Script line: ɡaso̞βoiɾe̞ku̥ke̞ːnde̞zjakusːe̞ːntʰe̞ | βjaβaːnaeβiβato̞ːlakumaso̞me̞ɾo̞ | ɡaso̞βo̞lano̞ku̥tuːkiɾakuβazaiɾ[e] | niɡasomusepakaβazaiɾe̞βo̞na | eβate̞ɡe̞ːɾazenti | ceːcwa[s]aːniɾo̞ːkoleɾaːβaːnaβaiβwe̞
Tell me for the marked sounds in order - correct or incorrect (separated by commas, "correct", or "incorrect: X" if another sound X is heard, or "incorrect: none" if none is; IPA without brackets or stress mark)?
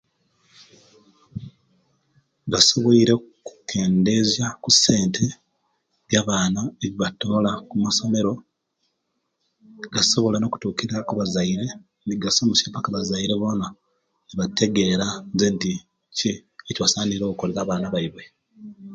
correct, correct